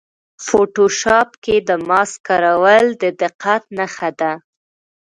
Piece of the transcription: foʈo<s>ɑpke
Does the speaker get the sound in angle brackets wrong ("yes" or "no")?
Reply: yes